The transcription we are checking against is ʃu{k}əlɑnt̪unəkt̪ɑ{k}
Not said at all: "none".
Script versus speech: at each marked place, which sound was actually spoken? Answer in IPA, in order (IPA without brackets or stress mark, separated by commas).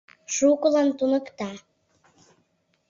k, none